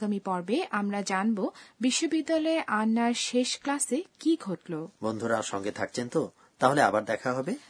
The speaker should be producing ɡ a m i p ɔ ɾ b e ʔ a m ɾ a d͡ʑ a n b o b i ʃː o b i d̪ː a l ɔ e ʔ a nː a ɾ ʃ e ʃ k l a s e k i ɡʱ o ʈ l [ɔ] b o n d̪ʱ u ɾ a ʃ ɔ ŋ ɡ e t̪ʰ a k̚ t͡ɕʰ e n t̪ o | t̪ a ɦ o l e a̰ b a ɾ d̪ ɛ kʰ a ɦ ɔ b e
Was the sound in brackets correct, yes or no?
no